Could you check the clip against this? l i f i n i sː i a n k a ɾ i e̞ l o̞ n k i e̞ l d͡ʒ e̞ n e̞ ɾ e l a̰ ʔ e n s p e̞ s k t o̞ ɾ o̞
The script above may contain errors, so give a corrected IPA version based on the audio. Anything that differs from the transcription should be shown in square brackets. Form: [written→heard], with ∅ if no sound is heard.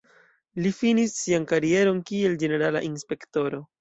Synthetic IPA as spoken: l i f i n i sː i a n k a ɾ i e̞ [l→ɾ] o̞ n k i e̞ l d͡ʒ e̞ n e̞ ɾ [e→a] l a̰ ʔ [e→i] n s p e̞ [s→∅] k t o̞ ɾ o̞

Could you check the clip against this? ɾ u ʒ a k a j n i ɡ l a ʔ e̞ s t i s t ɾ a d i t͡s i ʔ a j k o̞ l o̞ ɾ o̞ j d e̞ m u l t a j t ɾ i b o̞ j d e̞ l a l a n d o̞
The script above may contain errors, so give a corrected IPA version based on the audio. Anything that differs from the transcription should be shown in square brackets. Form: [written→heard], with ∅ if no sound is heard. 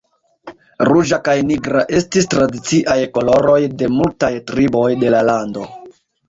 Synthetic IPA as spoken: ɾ u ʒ a k a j n i ɡ [l→ɾ] a ʔ e̞ s t i s t ɾ a d i t͡s i ʔ a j k o̞ l o̞ ɾ o̞ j d e̞ m u l t a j t ɾ i b o̞ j d e̞ l a l a n d o̞

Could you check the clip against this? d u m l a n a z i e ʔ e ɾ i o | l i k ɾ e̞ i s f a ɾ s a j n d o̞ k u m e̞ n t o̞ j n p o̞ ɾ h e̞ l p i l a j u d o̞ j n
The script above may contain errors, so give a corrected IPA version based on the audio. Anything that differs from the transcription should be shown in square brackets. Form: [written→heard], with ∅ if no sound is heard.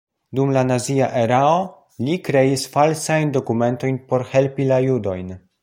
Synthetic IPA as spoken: d u m l a n a z i [e→a] ʔ e ɾ [i→a] o | l i k ɾ e̞ i s f a [ɾ→l] s a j n d o̞ k u m e̞ n t o̞ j n p o̞ ɾ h e̞ l p i l a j u d o̞ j n

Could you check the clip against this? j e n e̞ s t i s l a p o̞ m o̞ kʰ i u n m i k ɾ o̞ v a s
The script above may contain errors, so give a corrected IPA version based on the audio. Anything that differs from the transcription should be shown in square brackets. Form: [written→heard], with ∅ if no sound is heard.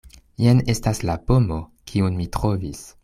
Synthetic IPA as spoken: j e n e̞ s t [i→a] s l a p o̞ m o̞ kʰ i u n m i [k→t] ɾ o̞ v [a→i] s

